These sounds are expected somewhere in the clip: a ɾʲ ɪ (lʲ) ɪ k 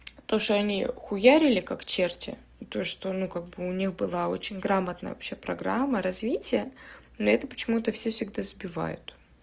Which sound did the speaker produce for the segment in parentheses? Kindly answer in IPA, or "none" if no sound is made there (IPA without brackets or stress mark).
lʲ